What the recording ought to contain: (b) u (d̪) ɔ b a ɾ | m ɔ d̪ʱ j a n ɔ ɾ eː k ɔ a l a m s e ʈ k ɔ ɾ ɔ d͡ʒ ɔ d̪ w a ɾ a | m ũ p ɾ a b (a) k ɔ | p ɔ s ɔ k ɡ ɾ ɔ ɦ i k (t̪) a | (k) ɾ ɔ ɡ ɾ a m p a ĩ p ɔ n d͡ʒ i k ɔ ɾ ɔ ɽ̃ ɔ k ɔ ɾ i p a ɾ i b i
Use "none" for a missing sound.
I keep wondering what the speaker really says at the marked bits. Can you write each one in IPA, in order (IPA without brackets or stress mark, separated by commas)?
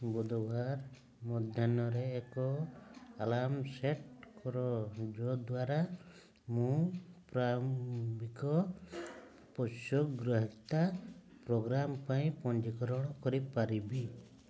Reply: b, d̪, i, t̪, p